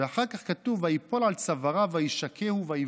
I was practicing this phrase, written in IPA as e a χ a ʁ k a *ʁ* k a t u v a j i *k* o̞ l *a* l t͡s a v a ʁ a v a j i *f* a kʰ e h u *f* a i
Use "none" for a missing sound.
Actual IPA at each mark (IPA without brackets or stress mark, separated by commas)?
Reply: χ, p, a, ʃ, v